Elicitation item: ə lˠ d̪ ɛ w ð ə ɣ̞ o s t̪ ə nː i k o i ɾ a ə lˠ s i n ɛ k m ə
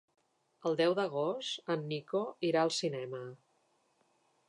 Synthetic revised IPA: ə lˠ d̪ ɛ w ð ə ɣ̞ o s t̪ ə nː i k o i ɾ a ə lˠ s i n ɛ m ə